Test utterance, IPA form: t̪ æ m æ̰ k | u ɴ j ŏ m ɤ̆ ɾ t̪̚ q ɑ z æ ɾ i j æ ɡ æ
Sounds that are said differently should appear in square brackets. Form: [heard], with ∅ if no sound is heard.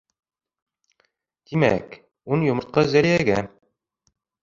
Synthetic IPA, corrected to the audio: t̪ [i] m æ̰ k | u [n] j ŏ m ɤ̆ ɾ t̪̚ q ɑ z æ ɾ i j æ ɡ æ